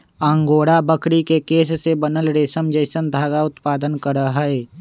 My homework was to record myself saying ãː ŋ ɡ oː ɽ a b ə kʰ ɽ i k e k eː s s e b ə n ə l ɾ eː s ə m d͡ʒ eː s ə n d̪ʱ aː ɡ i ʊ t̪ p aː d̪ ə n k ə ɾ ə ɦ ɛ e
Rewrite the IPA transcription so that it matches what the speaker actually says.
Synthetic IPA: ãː ŋ ɡ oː ɽ a b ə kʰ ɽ i k e k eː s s e b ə n ə l ɾ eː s ə m d͡ʒ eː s ə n d̪ʱ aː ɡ a ʊ t̪ p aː d̪ ə n k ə ɾ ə ɦ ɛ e